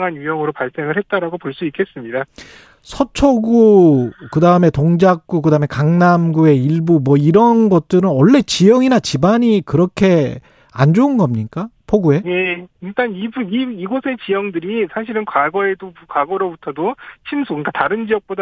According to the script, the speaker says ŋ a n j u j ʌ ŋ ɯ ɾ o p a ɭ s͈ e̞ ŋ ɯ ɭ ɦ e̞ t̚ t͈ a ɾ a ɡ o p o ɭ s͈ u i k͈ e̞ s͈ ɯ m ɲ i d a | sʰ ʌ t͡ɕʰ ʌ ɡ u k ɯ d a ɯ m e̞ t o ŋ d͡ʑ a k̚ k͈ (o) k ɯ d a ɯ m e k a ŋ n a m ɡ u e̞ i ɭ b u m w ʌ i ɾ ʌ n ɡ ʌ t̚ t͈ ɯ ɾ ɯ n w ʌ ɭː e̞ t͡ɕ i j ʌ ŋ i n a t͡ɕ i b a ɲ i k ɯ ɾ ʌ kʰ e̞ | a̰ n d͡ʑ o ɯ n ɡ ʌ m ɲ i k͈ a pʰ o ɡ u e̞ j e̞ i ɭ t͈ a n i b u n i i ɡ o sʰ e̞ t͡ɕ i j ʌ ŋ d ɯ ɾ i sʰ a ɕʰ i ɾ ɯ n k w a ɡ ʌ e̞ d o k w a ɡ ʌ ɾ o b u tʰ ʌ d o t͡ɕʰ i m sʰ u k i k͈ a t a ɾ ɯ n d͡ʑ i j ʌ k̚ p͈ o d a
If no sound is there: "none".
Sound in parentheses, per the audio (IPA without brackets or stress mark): u